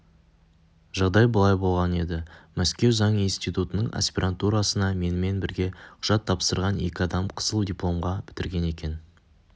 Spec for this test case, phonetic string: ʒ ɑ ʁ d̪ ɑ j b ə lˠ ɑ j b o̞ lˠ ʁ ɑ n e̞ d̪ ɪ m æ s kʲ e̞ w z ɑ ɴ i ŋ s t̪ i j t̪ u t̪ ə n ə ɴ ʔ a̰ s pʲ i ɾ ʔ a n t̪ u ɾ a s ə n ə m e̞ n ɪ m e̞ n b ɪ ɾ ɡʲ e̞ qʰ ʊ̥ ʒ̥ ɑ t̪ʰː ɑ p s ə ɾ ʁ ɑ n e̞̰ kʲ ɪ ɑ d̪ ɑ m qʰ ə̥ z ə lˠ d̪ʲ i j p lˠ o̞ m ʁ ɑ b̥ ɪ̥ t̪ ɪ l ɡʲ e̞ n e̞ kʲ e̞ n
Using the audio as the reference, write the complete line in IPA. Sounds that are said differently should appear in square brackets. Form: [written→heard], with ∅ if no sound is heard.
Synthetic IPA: ʒ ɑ ʁ d̪ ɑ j b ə lˠ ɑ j b o̞ lˠ ʁ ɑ n e̞ d̪ ɪ m æ s kʲ e̞ w z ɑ ɴ i [ŋ→n] s t̪ i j t̪ u t̪ ə n ə ɴ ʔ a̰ s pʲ i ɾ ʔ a n t̪ u ɾ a s ə n [ə→ɑ] m e̞ n ɪ m e̞ n b ɪ ɾ ɡʲ e̞ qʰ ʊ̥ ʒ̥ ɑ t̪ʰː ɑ p s ə ɾ ʁ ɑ n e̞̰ kʲ ɪ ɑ d̪ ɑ m qʰ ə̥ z ə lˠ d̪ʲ i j p lˠ o̞ m ʁ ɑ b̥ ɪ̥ t̪ ɪ [l→ɾ] ɡʲ e̞ n e̞ kʲ e̞ n